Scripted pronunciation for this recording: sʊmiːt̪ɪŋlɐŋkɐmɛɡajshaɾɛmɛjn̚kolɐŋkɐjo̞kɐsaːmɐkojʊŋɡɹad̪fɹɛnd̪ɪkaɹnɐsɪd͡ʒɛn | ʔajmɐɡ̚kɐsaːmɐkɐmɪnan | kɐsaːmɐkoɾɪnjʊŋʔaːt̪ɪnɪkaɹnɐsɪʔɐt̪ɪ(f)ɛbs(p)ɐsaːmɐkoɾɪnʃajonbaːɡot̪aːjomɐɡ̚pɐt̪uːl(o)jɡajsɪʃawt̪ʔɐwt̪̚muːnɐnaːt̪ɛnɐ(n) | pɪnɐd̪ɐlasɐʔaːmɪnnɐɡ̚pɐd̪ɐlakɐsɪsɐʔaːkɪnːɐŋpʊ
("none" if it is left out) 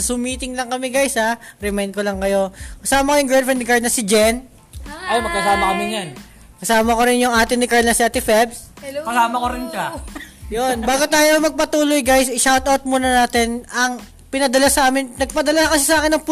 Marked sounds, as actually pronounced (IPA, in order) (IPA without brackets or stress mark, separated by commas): f, k, o, ŋ